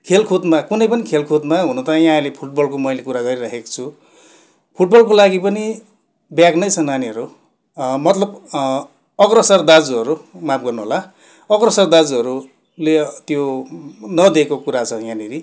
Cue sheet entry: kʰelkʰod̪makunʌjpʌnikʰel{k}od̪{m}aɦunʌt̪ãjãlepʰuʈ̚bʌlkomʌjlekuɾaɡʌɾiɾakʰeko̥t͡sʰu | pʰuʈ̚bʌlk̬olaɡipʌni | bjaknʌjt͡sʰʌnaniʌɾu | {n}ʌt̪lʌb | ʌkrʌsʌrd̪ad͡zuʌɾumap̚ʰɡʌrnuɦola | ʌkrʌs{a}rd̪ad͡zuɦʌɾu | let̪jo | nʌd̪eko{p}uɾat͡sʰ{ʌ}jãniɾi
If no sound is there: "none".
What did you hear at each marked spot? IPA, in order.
kʰ, m, m, ʌ, k, ʌ

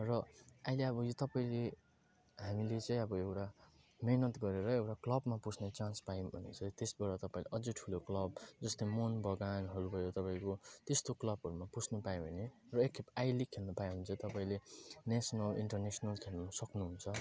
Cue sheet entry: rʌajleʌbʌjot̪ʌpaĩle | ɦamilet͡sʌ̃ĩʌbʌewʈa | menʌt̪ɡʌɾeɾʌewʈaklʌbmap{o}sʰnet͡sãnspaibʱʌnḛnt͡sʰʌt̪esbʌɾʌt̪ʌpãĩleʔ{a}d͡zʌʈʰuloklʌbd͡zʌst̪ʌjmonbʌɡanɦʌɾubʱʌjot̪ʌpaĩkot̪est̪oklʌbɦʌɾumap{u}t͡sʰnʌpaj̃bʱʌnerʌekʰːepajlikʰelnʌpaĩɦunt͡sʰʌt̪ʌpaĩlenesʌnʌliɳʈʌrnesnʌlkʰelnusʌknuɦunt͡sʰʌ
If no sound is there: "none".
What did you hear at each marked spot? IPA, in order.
u, ʌ, u

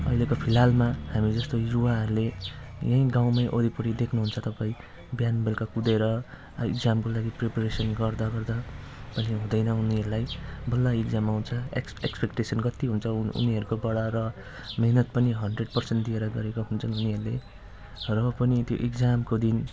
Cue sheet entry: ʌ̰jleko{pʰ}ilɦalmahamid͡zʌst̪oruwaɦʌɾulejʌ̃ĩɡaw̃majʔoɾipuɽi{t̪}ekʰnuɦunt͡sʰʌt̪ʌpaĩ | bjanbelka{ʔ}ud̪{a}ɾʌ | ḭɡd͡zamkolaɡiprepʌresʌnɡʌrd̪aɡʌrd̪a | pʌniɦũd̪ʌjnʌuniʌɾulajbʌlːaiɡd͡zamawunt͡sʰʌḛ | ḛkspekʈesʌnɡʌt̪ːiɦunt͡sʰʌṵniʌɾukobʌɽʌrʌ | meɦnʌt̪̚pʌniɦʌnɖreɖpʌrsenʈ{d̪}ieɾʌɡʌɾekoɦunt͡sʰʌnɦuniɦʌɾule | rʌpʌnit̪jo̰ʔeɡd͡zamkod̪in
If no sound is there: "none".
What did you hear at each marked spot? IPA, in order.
pʰ, d̪, k, e, d̪

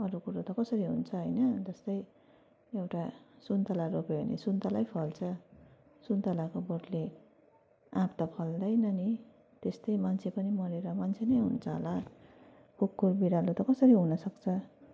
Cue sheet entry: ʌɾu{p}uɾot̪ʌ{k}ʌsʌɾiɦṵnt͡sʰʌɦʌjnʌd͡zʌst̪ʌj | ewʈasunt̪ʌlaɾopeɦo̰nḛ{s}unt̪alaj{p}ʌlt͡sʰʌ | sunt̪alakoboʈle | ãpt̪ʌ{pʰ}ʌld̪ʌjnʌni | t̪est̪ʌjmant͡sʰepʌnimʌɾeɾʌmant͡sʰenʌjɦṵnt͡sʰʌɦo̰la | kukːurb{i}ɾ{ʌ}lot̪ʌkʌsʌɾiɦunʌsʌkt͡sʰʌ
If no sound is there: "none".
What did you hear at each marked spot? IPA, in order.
k, k, s, pʰ, pʰ, i, a

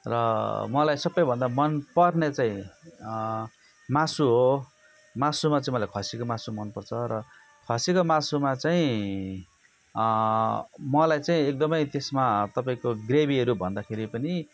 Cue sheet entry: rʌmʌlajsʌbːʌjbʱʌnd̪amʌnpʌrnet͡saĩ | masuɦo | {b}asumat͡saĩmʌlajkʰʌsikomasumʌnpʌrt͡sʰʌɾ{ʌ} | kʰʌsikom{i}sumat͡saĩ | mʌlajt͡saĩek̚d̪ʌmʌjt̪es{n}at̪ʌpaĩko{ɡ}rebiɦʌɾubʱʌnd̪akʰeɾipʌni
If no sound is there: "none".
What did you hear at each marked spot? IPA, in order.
m, ʌ, a, m, ɡ

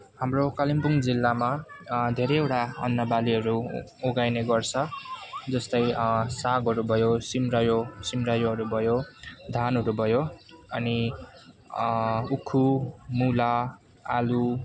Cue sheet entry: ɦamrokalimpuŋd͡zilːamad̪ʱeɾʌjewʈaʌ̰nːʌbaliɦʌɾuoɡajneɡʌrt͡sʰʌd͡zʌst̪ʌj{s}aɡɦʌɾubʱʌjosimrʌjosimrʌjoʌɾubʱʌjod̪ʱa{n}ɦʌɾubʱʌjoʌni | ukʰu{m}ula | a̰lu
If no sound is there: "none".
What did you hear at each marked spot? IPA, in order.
s, n, m

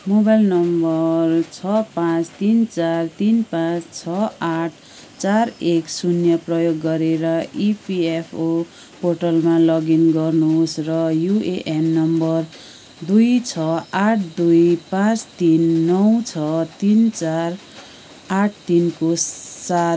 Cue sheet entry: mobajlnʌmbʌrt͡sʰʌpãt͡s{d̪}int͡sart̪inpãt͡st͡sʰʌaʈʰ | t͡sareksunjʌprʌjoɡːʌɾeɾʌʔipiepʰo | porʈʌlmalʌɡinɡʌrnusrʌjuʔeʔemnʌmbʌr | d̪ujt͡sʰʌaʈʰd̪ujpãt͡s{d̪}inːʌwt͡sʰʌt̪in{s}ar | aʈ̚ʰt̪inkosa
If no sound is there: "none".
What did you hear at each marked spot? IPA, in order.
t̪, t̪, t͡s

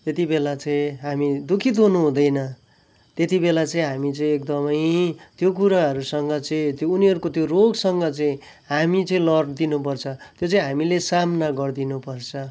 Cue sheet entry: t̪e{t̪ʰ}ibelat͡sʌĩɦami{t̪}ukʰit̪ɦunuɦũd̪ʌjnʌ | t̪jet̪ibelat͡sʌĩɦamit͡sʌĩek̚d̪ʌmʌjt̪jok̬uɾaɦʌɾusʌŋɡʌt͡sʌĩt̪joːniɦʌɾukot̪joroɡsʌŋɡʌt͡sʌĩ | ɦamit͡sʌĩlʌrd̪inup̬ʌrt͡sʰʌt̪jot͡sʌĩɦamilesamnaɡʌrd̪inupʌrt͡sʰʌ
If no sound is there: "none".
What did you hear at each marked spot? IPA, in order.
t̪, d̪

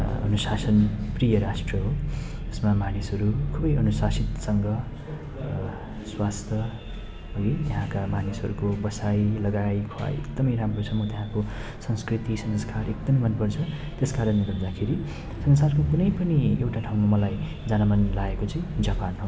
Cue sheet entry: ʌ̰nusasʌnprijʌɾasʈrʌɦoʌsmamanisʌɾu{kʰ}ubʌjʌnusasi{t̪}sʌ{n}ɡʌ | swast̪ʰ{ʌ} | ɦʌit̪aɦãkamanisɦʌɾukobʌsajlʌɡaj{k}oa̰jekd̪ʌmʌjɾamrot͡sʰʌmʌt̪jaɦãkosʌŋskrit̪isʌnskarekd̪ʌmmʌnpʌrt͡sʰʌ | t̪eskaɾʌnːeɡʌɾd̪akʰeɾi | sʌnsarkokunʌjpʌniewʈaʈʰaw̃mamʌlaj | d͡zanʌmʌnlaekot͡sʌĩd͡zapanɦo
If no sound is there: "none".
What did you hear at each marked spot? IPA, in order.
kʰ, t̪, ŋ, ʌ, kʰ

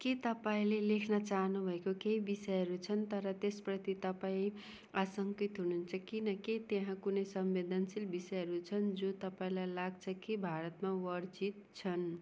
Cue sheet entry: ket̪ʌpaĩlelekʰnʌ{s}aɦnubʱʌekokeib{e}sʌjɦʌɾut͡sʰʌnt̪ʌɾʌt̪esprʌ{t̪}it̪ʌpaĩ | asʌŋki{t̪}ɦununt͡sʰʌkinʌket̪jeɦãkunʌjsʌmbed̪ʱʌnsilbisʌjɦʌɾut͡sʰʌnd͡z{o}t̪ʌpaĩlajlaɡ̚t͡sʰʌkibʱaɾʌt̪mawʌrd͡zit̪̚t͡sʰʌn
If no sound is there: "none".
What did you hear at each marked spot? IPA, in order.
t͡s, i, t̪, t̪, o

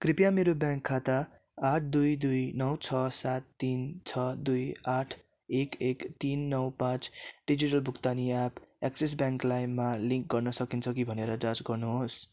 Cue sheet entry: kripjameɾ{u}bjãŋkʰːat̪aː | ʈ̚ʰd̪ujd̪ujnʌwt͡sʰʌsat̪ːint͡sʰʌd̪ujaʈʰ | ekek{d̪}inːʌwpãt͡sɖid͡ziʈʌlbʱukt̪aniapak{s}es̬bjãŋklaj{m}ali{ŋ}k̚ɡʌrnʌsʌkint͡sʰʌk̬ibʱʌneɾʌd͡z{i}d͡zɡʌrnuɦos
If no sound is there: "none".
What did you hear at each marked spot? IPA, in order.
o, t̪, s, m, ŋ, a

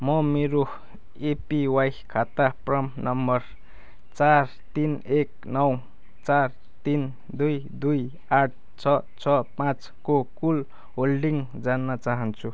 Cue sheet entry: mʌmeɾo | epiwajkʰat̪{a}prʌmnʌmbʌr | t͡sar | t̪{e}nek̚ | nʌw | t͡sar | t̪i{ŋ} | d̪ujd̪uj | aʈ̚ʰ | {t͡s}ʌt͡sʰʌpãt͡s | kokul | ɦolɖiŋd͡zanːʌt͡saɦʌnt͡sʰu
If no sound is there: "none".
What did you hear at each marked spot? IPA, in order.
a, i, n, t͡sʰ

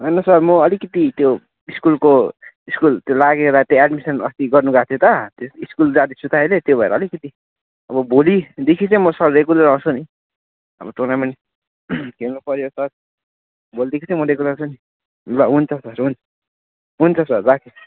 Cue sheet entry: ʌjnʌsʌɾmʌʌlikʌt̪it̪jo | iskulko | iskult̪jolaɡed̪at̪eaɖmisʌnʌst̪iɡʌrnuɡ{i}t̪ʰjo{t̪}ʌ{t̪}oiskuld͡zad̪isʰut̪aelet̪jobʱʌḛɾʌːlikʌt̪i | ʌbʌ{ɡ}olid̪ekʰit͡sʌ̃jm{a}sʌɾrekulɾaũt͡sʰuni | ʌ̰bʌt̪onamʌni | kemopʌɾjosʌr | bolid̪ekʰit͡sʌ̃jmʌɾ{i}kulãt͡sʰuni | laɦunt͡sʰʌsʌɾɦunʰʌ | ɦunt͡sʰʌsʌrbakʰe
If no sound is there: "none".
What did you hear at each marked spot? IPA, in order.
a, t̪, t̪, b, ʌ, e

